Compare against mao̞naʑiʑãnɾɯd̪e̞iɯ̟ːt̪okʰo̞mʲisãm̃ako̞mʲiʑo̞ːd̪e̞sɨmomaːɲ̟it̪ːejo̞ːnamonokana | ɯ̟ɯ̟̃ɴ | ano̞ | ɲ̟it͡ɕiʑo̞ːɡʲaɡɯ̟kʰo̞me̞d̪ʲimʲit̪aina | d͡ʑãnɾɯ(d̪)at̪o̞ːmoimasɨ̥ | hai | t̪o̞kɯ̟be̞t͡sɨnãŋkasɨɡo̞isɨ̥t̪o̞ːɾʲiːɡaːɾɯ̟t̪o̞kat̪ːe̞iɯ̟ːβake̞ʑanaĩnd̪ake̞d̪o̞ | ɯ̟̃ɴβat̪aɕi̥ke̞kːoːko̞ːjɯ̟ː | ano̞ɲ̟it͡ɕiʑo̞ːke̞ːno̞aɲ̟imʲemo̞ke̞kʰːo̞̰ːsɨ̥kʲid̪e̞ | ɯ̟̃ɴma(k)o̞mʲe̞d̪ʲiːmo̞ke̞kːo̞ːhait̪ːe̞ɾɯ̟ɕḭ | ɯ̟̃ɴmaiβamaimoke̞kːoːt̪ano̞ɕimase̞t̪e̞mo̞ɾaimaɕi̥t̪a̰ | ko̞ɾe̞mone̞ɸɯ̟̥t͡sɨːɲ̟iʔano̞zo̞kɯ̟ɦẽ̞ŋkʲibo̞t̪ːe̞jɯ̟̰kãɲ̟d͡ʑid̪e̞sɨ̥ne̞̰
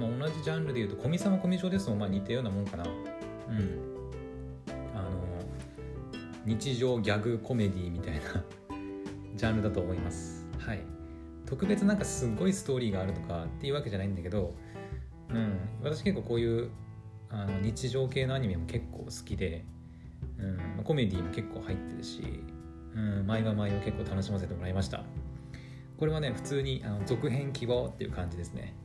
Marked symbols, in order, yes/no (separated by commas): yes, yes